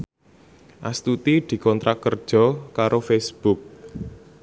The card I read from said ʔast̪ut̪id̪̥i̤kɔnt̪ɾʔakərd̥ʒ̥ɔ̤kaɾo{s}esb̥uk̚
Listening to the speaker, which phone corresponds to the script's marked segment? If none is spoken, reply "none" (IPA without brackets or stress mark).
f